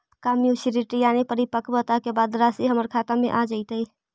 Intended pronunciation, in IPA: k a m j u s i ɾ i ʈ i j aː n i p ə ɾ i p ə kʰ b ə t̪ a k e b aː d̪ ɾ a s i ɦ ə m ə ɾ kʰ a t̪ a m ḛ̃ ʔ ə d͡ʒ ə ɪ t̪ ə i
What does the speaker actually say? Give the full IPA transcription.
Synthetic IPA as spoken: k a m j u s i ɾ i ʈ i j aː n i p ə ɾ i p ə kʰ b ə t̪ a k e b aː d̪ ɾ a s i ɦ ə m ə ɾ kʰ a t̪ a m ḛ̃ ʔ a d͡ʒ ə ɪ t̪ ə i